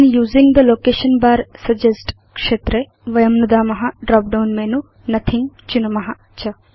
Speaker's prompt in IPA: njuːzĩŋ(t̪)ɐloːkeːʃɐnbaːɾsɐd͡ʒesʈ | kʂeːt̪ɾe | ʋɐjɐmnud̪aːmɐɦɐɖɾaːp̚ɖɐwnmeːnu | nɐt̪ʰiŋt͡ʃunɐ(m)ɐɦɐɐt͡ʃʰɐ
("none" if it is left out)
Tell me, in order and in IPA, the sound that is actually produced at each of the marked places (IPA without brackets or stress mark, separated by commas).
d̪, m